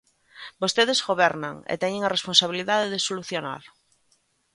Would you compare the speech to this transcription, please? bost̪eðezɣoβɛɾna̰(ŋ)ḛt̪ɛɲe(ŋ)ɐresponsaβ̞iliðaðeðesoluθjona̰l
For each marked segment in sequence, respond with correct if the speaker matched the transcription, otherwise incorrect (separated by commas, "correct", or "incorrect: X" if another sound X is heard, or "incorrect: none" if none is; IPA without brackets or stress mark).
correct, correct